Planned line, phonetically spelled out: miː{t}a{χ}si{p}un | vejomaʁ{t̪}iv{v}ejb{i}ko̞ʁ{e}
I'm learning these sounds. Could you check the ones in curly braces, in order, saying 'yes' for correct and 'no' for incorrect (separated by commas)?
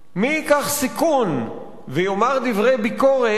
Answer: no, yes, no, no, no, yes, yes